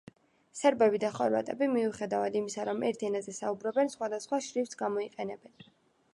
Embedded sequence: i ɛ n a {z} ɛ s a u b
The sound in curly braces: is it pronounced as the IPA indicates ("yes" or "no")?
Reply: yes